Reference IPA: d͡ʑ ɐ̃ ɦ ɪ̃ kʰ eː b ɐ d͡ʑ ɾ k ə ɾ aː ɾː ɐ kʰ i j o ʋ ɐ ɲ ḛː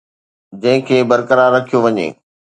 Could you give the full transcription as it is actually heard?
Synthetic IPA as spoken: d͡ʑ ɐ̃ ɦ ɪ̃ kʰ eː b ɐ ɾ k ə ɾ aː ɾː ɐ kʰ i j o ʋ ɐ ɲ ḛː